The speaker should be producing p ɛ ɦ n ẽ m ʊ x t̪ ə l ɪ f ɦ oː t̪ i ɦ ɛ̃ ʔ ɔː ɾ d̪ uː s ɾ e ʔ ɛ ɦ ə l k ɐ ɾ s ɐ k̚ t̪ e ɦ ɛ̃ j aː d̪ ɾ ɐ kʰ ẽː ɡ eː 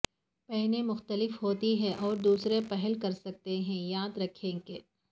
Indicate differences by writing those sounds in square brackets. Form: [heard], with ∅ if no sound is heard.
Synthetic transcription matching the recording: p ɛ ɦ n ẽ m ʊ x t̪ ə l ɪ f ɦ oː t̪ i ɦ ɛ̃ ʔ ɔː ɾ d̪ uː s ɾ e [p] ɛ ɦ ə l k ɐ ɾ s ɐ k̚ t̪ e ɦ ɛ̃ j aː d̪ ɾ ɐ kʰ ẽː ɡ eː